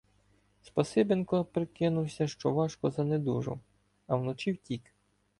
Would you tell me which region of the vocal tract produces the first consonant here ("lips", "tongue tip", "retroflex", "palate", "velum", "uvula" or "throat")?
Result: tongue tip